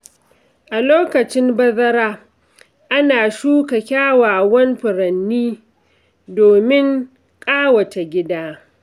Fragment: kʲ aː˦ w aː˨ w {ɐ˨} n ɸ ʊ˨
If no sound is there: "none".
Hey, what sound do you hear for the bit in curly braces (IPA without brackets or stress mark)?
ɐ˦